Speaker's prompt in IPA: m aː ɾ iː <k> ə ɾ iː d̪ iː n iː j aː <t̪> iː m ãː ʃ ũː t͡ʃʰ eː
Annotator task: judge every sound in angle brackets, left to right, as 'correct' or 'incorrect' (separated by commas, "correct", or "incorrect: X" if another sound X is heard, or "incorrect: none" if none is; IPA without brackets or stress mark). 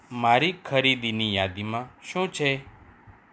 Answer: incorrect: kʰ, incorrect: d̪